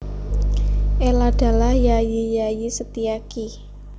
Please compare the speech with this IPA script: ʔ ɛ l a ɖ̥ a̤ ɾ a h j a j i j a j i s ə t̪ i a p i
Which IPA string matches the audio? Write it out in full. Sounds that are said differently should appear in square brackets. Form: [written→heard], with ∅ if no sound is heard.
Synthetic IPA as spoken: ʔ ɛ l a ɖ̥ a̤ [ɾ→l] a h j a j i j a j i s ə t̪ i a [p→k] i